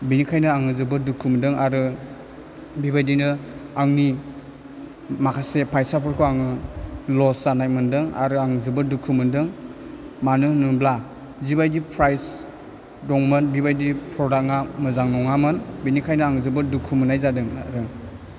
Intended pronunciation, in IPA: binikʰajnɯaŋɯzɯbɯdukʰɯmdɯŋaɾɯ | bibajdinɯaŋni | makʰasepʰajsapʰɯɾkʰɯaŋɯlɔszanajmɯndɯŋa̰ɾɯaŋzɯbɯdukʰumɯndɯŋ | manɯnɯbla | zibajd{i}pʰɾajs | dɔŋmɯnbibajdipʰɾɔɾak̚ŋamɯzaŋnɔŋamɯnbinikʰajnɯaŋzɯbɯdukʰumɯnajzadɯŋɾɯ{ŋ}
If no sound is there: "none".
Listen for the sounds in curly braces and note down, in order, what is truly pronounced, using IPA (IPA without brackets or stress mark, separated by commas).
i, ŋ